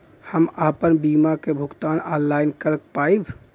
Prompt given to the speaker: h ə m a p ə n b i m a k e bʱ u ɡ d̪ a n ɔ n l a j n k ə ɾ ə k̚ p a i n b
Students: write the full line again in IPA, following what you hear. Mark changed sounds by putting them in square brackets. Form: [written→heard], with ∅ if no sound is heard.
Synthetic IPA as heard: h ə m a p ə n b i m a k e bʱ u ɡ [d̪→t̪] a n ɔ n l a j n k ə ɾ ə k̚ p a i [n→∅] b